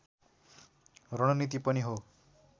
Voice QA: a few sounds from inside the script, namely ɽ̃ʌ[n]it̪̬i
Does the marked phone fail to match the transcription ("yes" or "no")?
no